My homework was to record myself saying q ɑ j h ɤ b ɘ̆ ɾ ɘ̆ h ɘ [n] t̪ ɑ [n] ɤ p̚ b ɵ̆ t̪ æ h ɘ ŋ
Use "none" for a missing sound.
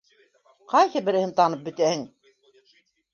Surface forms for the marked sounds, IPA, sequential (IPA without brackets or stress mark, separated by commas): n, n